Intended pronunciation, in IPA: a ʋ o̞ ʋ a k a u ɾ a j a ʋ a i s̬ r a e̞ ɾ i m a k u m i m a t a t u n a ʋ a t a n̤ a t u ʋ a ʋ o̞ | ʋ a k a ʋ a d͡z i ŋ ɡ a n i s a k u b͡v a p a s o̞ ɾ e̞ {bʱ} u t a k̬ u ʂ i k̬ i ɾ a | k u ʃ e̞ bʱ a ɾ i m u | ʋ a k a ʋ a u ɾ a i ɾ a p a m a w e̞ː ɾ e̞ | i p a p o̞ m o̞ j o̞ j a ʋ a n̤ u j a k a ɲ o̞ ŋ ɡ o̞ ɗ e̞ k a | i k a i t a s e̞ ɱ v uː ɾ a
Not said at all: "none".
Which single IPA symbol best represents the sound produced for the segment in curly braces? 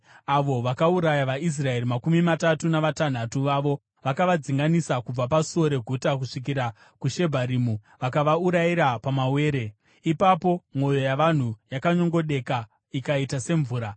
ɡʱ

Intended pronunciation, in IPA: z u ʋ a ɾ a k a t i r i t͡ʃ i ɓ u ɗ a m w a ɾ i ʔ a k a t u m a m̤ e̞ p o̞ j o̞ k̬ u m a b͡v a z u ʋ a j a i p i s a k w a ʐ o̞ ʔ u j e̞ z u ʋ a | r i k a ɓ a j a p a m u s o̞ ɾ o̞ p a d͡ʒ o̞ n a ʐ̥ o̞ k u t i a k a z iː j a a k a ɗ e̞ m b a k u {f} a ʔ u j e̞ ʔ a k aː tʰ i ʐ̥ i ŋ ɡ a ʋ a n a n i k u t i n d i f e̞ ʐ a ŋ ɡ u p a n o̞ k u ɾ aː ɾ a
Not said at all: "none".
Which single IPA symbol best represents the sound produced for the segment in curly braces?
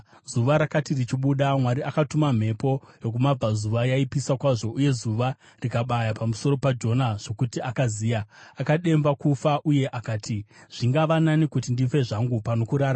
f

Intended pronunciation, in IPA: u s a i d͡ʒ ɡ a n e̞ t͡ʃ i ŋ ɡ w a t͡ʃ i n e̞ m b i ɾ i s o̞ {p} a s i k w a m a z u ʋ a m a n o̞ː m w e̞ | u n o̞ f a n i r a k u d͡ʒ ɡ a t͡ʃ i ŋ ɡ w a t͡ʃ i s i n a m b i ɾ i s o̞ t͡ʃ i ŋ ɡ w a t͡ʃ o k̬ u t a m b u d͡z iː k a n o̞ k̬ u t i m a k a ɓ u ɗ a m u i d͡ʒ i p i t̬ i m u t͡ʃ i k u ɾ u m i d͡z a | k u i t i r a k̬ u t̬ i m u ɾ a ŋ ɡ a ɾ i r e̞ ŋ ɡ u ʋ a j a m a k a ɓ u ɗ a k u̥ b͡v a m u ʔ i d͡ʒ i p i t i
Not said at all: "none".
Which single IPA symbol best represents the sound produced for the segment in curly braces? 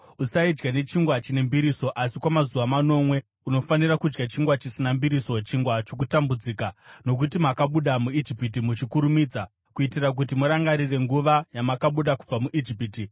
ʔ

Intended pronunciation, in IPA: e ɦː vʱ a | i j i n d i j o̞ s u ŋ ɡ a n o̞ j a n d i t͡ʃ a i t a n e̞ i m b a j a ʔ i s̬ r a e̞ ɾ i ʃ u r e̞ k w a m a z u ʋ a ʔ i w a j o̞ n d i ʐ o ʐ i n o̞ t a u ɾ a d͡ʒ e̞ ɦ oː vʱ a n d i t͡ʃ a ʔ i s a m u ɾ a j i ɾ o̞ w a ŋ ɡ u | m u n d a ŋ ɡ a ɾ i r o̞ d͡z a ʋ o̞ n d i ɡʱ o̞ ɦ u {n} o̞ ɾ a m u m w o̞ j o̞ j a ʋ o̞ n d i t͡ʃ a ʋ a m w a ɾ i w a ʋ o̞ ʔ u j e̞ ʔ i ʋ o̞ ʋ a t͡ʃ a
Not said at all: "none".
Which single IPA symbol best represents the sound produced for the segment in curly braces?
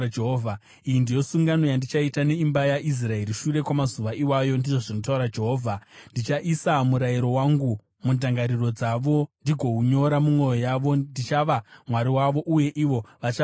ɲ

